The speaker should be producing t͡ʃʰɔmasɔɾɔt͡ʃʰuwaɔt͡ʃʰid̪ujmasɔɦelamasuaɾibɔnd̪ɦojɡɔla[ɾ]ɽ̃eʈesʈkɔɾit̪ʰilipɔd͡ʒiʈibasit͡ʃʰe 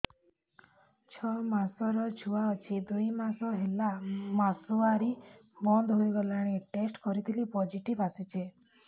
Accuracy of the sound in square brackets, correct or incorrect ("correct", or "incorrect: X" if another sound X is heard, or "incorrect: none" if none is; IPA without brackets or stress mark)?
incorrect: none